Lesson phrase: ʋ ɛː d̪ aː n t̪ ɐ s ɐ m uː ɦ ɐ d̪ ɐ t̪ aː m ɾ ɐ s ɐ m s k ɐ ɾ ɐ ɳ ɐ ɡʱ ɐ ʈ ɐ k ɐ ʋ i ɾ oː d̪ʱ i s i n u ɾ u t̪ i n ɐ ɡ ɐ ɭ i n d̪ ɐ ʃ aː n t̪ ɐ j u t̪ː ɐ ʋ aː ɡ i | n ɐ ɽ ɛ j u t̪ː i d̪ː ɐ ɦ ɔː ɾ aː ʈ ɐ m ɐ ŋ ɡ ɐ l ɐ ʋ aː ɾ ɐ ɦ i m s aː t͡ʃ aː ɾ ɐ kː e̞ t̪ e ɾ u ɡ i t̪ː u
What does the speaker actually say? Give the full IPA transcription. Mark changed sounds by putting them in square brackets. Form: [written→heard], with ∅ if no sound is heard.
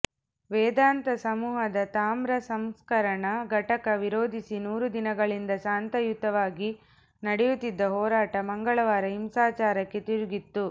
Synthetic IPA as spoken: ʋ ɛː d̪ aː n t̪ ɐ s ɐ m uː ɦ ɐ d̪ ɐ t̪ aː m ɾ ɐ s ɐ m s k ɐ ɾ ɐ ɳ ɐ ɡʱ ɐ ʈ ɐ k ɐ ʋ i ɾ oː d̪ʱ i s i n [u→uː] ɾ u [t̪→d̪] i n ɐ ɡ ɐ ɭ i n d̪ ɐ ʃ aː n t̪ ɐ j u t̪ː ɐ ʋ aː ɡ i | n ɐ ɽ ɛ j u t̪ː i d̪ː ɐ ɦ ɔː ɾ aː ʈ ɐ m ɐ ŋ ɡ ɐ [l→ɭ] ɐ ʋ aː ɾ ɐ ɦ i m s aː t͡ʃ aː ɾ ɐ kː e̞ t̪ [e→i] ɾ u ɡ i t̪ː u